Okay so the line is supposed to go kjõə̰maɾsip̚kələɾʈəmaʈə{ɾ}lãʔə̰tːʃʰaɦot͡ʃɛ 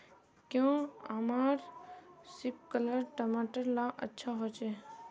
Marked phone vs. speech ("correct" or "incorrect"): correct